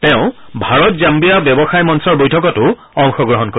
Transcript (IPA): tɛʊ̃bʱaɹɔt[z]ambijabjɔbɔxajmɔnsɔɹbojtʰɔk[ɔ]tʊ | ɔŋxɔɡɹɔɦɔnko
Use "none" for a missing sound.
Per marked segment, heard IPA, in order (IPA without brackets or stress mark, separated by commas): z, ɔ